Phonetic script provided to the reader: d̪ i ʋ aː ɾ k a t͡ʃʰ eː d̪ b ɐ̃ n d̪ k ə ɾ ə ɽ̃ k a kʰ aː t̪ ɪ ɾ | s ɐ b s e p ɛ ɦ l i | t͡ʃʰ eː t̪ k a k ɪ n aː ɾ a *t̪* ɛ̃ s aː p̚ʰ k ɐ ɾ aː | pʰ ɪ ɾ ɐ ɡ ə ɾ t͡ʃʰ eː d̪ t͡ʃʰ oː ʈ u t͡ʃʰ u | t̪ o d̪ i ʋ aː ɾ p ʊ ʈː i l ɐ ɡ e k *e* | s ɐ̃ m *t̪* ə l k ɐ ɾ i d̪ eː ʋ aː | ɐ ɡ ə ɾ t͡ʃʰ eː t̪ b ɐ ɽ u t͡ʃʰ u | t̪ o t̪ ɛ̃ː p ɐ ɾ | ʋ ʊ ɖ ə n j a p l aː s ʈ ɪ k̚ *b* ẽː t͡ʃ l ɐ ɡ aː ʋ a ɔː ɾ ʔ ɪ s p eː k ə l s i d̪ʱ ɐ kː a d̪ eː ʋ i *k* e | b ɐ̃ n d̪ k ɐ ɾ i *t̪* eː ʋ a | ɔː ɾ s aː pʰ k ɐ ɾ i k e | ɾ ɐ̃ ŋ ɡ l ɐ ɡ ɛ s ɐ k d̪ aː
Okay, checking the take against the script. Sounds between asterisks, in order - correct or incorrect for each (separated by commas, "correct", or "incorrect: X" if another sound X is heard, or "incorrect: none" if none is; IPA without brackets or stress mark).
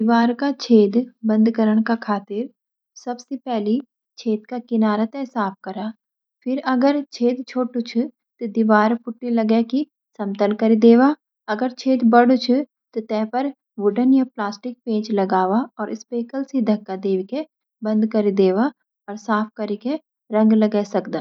correct, incorrect: i, correct, incorrect: p, correct, incorrect: d̪